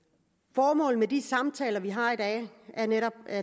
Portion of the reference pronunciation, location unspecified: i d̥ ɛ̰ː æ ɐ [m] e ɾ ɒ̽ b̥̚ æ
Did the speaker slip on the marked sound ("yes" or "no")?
yes